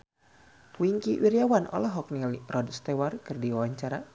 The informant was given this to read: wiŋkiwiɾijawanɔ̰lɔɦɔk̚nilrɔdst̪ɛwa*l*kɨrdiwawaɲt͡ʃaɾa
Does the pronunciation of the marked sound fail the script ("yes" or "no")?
yes